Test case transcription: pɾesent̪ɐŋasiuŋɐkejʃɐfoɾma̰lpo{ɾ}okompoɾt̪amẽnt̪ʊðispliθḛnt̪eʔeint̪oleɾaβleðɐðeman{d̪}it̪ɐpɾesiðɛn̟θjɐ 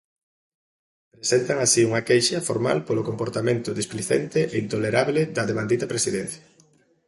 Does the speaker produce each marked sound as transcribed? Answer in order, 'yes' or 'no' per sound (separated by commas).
no, yes